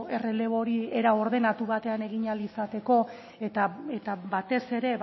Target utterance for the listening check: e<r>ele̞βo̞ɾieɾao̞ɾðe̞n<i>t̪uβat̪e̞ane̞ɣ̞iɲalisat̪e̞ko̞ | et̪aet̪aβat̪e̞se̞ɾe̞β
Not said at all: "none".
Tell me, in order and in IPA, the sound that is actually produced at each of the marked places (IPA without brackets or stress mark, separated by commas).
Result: r, a